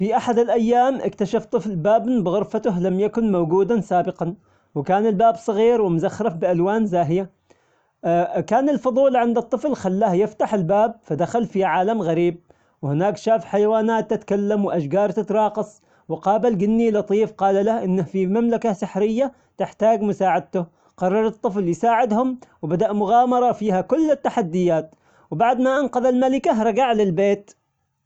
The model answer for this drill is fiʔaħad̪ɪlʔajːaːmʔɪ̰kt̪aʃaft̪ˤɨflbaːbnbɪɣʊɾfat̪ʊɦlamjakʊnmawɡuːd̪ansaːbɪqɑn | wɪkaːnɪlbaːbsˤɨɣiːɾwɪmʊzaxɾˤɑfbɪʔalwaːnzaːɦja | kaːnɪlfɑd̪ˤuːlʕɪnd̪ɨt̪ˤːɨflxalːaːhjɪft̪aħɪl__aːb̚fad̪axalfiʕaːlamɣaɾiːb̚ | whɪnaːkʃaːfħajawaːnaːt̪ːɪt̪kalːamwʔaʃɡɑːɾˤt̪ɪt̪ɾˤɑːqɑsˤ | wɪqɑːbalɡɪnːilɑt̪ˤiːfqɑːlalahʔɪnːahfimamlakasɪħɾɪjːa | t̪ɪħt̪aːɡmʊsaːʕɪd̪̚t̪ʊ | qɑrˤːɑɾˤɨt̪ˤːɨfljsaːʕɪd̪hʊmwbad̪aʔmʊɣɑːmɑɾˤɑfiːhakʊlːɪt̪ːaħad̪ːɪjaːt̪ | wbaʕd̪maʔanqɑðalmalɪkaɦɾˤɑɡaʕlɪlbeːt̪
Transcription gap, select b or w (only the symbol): b